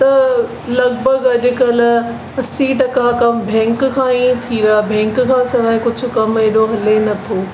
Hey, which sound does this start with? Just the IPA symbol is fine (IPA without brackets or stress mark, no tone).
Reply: t̪